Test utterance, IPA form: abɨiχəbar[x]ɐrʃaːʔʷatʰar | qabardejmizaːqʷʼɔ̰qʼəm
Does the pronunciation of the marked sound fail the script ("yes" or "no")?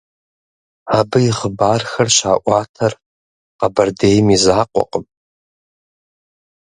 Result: no